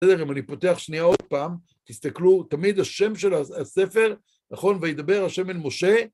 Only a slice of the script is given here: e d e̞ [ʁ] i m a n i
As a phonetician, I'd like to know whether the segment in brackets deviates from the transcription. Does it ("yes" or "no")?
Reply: no